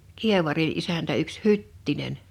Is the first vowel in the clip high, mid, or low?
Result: high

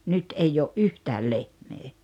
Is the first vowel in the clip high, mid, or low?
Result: high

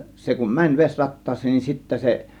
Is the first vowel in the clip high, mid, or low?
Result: mid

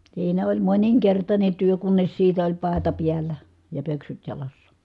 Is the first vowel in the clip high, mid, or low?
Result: high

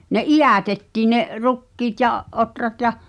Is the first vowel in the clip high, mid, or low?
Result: mid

